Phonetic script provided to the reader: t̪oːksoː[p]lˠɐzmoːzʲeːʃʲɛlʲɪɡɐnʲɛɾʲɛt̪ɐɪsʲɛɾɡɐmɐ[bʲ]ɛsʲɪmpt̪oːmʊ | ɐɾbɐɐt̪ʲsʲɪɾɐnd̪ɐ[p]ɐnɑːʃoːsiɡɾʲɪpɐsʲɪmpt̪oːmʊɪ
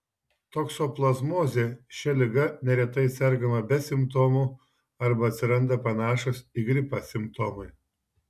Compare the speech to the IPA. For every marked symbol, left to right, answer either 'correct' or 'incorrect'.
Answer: correct, correct, correct

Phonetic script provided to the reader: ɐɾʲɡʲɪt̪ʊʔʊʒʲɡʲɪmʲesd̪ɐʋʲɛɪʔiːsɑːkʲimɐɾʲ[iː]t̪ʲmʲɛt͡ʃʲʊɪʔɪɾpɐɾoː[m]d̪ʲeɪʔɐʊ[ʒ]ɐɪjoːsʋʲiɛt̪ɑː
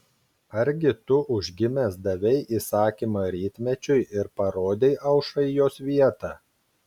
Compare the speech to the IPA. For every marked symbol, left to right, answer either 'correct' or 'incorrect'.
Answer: correct, incorrect, incorrect

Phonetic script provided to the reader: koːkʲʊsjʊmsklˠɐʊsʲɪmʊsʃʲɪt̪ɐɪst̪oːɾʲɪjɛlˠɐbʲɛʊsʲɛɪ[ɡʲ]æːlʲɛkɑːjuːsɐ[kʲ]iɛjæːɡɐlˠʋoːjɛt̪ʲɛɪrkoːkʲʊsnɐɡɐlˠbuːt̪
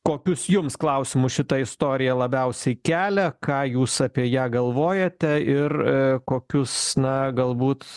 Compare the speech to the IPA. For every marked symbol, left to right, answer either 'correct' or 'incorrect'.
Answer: incorrect, incorrect

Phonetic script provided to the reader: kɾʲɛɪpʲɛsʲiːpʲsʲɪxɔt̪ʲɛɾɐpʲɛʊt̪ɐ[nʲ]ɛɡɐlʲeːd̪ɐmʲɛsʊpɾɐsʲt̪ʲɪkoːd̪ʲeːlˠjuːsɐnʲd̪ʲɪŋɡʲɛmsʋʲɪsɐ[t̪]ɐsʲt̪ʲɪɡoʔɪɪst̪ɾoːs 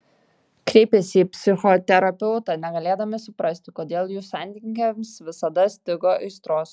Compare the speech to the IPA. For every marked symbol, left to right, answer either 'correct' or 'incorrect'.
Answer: correct, incorrect

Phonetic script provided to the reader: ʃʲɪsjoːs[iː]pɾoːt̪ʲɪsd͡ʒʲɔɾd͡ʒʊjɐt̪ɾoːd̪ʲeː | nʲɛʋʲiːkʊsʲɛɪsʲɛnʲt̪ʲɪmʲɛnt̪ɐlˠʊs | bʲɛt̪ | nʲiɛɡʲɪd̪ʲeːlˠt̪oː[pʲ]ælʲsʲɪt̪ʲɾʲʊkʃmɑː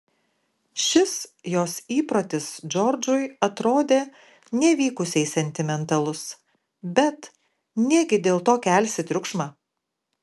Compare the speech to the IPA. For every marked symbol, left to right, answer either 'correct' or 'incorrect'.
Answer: correct, incorrect

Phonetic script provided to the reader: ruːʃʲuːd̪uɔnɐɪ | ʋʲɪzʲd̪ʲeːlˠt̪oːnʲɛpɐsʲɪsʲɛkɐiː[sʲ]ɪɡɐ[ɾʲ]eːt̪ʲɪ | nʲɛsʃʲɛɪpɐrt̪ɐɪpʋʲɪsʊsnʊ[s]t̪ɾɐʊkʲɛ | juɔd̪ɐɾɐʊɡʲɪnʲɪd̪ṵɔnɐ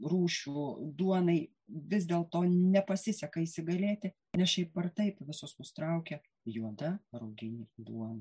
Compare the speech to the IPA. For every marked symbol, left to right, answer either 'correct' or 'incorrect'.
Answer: correct, incorrect, correct

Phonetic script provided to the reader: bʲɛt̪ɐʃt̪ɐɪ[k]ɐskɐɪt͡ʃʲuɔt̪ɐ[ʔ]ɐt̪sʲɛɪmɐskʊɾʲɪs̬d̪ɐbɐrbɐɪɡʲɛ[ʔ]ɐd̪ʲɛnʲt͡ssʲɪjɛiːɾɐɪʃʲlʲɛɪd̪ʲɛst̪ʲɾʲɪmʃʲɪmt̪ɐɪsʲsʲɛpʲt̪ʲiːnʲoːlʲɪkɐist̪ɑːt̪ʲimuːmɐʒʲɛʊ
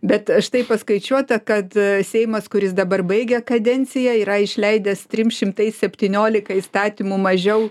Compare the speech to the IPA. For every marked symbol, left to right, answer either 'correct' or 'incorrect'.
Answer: incorrect, incorrect, incorrect

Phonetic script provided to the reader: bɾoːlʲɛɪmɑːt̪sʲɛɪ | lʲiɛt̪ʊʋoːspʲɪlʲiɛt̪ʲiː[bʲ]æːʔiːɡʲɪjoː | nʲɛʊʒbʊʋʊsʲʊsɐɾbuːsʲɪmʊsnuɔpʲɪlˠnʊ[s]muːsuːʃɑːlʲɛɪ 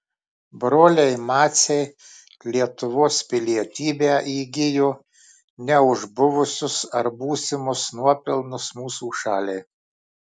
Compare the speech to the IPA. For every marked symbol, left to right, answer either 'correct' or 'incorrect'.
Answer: correct, correct

